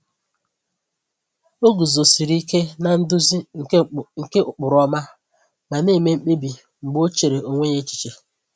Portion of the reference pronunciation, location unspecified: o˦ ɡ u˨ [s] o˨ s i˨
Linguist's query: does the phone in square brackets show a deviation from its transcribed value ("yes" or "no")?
yes